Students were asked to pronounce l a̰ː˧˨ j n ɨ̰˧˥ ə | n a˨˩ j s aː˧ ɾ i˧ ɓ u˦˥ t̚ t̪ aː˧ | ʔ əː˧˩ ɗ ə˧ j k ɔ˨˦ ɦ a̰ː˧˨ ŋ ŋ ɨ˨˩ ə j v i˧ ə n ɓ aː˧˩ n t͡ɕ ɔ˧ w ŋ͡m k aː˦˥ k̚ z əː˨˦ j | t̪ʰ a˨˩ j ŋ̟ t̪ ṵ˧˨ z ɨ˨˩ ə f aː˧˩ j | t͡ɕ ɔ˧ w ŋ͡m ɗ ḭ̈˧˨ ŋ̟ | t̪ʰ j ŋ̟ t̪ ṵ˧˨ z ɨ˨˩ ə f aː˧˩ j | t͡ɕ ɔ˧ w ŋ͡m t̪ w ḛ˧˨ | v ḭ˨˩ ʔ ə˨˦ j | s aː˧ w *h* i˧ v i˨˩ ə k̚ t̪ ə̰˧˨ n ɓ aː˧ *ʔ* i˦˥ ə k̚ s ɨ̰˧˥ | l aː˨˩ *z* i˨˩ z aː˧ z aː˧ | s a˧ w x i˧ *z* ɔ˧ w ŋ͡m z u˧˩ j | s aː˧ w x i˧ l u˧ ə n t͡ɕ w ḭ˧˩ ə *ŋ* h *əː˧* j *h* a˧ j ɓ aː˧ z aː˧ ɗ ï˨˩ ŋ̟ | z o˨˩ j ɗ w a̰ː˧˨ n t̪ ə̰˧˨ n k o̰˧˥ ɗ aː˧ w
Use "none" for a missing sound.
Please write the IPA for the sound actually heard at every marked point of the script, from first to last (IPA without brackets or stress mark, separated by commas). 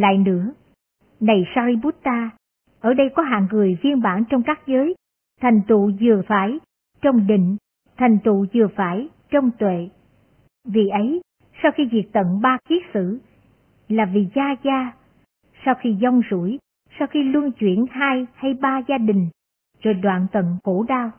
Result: x, k, v, z, n, aː˧, h